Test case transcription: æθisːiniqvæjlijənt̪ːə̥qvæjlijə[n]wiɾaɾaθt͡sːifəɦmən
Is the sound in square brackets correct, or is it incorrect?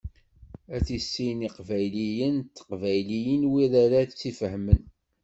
correct